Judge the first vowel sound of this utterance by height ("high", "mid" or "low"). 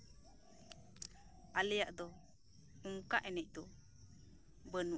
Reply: low